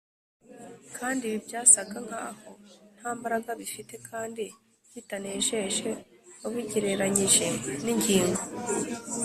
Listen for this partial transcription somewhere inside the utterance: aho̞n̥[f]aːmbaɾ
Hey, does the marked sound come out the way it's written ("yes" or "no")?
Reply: no